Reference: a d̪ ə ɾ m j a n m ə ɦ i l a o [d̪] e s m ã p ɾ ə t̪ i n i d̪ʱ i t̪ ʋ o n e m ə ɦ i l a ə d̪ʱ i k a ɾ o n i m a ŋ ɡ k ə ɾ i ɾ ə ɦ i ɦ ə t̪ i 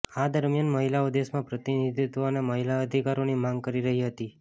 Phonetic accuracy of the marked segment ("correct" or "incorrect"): correct